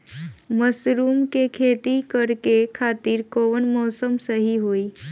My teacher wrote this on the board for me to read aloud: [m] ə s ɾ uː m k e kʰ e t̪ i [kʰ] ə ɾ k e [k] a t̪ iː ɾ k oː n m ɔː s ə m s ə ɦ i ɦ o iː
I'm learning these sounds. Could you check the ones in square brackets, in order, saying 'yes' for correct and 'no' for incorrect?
yes, no, no

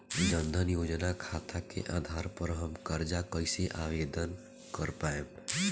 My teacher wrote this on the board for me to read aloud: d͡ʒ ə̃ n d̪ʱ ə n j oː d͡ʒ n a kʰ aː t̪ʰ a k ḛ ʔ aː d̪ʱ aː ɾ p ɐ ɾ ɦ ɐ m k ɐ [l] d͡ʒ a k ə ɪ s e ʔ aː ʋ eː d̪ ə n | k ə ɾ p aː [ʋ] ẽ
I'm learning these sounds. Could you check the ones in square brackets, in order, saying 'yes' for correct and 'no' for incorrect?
no, no

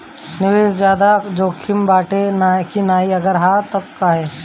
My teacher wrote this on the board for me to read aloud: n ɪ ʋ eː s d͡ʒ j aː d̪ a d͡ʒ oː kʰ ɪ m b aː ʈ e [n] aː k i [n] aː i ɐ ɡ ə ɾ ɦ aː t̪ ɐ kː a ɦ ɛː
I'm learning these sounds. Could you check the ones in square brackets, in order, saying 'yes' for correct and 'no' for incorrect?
yes, yes

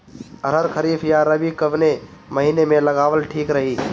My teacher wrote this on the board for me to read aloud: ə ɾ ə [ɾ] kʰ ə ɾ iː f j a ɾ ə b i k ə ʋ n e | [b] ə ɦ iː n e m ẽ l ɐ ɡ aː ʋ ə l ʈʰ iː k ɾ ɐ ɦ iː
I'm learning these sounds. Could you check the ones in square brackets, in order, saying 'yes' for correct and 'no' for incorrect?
yes, no

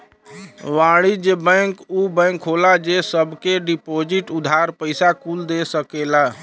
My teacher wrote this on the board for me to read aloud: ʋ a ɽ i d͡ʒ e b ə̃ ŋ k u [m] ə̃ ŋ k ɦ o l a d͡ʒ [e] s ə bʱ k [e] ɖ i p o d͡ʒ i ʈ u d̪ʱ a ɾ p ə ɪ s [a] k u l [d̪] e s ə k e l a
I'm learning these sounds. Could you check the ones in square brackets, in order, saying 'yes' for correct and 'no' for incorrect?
no, yes, yes, yes, yes

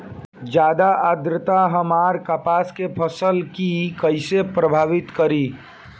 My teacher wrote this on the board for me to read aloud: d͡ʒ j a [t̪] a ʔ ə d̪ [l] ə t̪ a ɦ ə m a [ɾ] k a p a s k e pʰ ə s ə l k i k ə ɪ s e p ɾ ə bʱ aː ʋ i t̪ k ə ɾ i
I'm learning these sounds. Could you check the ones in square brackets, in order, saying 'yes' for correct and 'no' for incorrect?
no, no, yes

